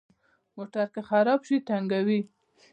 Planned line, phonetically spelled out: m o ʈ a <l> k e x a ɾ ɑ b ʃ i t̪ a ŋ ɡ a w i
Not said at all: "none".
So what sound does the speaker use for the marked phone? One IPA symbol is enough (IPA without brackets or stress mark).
ɾ